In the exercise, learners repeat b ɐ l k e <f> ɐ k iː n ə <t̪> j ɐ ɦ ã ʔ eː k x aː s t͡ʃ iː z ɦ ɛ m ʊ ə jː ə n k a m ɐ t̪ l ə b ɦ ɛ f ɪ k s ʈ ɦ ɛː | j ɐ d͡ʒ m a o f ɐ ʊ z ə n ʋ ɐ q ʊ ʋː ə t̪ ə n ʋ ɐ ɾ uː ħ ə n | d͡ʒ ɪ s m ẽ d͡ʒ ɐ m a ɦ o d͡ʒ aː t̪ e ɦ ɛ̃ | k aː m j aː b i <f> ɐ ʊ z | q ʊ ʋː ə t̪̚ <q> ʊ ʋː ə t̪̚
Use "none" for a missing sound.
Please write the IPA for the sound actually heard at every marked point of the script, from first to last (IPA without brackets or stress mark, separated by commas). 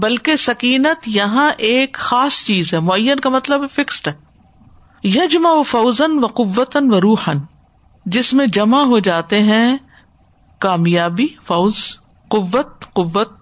s, t̪, f, q